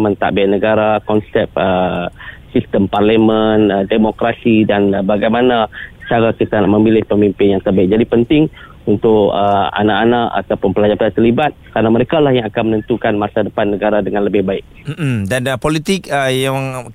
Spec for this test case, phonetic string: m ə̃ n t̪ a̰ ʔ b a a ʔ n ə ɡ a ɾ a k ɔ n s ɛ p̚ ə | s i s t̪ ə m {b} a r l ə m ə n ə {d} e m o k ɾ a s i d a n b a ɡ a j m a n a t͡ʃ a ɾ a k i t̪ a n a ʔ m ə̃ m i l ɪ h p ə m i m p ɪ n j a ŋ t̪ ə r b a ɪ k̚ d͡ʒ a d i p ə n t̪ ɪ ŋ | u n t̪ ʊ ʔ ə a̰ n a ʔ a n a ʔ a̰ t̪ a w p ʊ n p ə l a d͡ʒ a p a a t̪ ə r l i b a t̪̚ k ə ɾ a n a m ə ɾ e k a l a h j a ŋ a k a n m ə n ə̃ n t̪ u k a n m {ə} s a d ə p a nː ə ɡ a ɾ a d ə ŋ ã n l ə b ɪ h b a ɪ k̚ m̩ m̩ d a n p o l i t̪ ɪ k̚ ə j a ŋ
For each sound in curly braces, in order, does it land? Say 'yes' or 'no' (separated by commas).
no, yes, no